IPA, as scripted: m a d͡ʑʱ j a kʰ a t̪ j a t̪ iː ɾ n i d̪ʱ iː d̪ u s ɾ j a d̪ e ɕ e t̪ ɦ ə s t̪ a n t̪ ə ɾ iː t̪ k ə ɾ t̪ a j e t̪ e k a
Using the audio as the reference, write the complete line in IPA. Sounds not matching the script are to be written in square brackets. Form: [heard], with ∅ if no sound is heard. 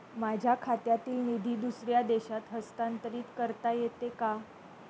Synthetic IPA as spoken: m a d͡ʑʱ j a kʰ a t̪ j a t̪ iː [l] n i d̪ʱ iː d̪ u s ɾ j a d̪ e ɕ [a] t̪ ɦ ə s t̪ a n t̪ ə ɾ iː t̪ k ə ɾ t̪ a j e t̪ e k a